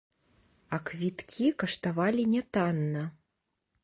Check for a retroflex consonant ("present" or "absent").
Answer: present